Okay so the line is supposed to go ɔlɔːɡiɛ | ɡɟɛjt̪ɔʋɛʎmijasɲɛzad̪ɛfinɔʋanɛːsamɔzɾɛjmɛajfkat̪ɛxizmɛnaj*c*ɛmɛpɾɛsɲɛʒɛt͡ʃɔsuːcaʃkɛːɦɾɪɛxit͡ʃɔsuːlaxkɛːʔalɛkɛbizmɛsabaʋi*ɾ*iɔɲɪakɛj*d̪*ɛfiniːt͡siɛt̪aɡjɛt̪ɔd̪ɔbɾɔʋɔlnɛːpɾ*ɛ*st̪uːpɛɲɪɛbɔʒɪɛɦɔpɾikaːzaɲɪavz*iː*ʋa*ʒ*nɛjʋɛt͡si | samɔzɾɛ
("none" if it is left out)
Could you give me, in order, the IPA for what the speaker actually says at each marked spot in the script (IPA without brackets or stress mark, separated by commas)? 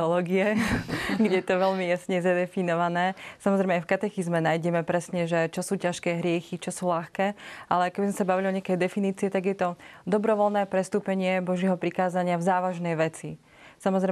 ɟ, l, d̪, ɛ, aː, ʒ